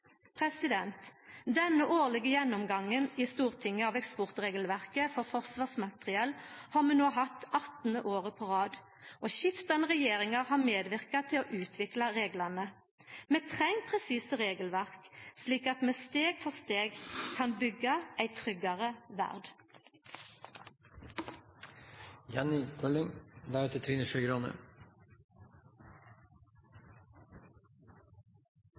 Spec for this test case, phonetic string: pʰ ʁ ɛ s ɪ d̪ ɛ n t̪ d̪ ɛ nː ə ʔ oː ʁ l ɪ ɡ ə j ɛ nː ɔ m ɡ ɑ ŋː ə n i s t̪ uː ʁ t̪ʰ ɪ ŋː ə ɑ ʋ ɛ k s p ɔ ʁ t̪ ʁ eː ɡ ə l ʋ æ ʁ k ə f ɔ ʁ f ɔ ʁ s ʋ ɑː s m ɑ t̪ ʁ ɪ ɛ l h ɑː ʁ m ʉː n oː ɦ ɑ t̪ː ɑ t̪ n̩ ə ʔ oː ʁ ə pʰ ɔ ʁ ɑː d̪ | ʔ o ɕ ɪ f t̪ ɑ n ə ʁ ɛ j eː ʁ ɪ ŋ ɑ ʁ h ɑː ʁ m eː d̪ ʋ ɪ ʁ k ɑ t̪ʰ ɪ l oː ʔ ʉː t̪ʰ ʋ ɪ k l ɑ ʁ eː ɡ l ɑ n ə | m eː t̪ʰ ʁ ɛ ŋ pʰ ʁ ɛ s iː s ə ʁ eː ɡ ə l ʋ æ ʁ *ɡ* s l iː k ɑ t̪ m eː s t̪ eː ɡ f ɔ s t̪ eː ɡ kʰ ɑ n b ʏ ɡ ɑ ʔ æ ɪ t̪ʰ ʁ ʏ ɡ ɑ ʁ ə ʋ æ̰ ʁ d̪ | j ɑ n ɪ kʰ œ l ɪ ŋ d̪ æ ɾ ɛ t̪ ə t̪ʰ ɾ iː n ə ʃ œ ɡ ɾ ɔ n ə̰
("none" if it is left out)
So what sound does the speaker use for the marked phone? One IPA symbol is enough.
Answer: k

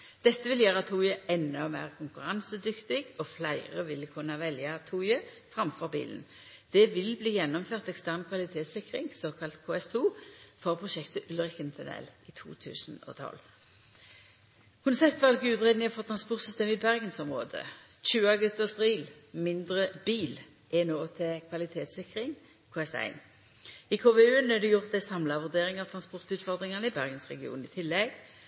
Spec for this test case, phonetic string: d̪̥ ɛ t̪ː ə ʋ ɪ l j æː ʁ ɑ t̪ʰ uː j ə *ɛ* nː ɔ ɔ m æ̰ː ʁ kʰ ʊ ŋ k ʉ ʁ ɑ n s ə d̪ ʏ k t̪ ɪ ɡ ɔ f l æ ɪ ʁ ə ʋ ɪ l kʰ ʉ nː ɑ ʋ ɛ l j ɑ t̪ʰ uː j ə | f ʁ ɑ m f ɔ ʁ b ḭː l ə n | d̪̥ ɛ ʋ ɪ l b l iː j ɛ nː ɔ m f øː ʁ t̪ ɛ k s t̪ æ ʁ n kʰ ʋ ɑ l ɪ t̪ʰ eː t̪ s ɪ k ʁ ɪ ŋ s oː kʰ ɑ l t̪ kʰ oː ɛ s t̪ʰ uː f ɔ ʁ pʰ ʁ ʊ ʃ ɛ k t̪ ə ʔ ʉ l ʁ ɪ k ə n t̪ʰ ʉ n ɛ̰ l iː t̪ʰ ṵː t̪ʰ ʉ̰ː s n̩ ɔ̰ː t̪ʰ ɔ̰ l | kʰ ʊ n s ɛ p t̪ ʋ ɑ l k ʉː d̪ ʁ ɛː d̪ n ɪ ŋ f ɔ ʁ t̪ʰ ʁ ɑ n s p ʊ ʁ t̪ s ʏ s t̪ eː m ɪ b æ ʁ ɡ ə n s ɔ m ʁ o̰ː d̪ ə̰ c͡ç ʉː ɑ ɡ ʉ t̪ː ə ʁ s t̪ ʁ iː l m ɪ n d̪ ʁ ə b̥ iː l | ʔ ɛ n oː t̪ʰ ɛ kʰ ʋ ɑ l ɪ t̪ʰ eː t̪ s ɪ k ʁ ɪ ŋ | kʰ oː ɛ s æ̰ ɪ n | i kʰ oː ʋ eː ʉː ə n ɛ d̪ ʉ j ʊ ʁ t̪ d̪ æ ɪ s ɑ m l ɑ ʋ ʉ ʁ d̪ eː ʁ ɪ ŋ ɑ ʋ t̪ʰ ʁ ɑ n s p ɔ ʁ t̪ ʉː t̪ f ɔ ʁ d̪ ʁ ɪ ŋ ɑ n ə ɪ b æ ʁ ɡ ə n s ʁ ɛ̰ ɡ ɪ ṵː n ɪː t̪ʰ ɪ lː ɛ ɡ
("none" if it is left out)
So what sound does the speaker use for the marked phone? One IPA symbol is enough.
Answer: ɛ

